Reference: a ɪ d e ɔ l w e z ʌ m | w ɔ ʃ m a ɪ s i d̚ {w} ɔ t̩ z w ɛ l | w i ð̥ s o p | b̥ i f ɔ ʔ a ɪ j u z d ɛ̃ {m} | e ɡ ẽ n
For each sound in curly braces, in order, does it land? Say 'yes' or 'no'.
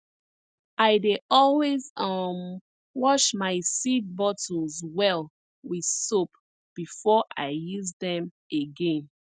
no, yes

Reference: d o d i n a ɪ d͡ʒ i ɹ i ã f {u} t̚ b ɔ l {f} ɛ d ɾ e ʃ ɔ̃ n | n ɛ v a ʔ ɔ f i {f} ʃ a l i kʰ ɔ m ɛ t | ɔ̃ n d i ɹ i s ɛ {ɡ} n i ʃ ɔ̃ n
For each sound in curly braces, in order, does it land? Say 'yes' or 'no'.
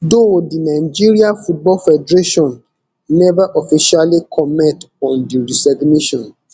yes, yes, no, yes

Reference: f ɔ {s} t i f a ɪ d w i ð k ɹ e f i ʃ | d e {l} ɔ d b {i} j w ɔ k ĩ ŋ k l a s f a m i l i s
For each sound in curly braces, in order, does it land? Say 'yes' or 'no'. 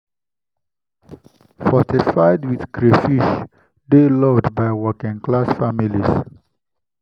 no, yes, no

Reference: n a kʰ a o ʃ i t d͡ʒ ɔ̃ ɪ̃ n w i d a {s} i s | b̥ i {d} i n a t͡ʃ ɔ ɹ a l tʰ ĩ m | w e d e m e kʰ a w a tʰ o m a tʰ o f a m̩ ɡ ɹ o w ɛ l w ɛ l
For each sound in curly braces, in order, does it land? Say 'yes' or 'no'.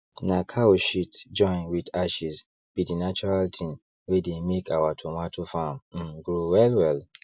no, yes

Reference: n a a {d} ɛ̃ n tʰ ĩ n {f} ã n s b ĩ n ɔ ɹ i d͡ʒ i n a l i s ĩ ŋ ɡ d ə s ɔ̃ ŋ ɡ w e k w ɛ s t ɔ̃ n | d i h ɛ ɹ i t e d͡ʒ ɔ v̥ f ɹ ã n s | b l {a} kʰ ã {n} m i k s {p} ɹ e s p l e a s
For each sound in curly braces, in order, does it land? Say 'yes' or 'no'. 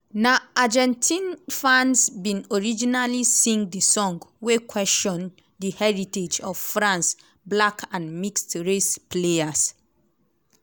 no, yes, yes, yes, no

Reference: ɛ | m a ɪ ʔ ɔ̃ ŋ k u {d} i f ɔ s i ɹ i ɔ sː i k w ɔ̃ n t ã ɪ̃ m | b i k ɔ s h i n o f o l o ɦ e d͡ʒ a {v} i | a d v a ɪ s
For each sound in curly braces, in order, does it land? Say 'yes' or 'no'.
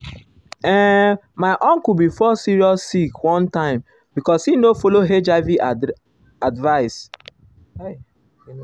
no, yes

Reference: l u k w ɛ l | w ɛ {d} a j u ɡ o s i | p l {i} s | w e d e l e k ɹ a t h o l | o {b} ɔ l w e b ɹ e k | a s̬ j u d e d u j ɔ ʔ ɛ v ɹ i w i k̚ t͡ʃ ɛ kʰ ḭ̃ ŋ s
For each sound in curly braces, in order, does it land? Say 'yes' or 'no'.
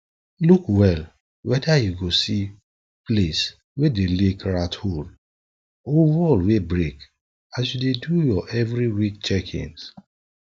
yes, no, no

